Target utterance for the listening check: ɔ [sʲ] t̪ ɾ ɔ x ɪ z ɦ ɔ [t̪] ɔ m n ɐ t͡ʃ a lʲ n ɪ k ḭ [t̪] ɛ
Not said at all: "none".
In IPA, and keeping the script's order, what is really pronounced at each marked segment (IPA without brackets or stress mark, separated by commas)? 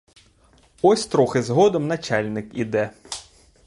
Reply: sʲ, d̪, d̪